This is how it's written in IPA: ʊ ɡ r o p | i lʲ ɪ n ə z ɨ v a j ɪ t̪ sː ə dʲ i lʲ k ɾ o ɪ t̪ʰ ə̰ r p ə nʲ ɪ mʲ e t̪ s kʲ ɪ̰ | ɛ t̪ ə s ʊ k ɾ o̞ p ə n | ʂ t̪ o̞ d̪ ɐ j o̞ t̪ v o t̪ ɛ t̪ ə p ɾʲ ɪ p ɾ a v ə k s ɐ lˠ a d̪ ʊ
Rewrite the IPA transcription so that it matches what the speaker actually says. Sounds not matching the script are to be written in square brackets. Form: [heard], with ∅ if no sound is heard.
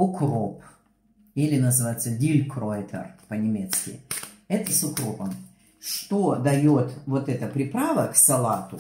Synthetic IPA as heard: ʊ [k] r o p | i lʲ ɪ n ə z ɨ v a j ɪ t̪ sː ə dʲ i lʲ k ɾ o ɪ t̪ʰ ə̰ r p ə nʲ ɪ mʲ e t̪ s kʲ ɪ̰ | ɛ t̪ ə s ʊ k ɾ o̞ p ə [m] | ʂ t̪ o̞ d̪ ɐ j o̞ t̪ v o t̪ ɛ t̪ ə p ɾʲ ɪ p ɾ a v ə k s ɐ lˠ a [t̪] ʊ